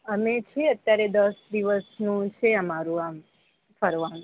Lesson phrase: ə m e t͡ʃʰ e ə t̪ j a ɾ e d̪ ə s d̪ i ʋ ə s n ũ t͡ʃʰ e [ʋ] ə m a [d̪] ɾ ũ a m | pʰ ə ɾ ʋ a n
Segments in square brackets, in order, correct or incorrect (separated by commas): incorrect, incorrect